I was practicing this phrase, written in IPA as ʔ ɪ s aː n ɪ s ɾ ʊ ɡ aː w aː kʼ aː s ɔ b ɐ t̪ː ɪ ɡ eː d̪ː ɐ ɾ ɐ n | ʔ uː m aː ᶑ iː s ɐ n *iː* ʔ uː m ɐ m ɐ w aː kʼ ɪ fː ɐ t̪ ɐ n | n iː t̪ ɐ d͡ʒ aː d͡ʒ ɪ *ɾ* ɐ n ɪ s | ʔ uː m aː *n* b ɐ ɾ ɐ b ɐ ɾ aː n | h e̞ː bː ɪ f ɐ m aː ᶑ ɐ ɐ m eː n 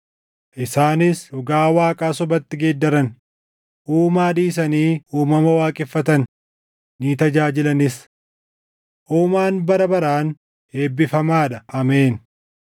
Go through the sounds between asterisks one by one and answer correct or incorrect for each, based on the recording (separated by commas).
correct, incorrect, correct